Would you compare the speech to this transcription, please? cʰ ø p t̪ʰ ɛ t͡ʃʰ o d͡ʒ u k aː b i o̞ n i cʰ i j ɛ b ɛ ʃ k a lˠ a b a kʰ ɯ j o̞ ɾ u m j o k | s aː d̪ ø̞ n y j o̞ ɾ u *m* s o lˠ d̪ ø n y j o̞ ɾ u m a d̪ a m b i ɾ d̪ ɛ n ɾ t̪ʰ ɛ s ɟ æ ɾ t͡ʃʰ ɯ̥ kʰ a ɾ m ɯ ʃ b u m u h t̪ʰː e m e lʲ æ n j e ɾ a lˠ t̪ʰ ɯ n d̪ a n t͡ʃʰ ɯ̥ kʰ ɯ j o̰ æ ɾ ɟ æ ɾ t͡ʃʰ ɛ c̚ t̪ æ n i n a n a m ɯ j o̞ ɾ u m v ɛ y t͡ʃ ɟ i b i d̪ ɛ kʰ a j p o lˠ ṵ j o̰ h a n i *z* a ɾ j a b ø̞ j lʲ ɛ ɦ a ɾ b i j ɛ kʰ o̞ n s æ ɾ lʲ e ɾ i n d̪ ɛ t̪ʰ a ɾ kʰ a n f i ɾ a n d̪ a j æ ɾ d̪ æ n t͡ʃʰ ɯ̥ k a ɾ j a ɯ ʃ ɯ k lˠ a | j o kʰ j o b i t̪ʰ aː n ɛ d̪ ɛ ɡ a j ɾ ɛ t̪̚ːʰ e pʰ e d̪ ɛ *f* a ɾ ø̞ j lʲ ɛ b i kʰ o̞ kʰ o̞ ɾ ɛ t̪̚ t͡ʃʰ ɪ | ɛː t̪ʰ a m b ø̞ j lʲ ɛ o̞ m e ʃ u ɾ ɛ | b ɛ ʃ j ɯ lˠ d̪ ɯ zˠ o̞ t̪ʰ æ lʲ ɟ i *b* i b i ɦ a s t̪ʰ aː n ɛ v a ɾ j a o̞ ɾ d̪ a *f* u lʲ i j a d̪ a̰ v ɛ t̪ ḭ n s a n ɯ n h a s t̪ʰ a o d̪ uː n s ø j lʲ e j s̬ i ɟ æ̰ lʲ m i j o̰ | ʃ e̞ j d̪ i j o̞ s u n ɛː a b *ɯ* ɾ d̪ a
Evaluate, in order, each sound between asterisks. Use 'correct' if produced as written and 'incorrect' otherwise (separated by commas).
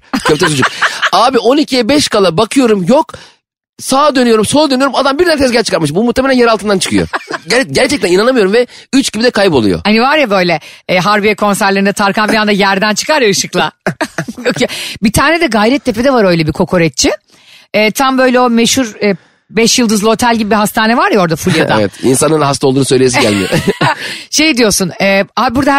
correct, incorrect, incorrect, correct, correct, incorrect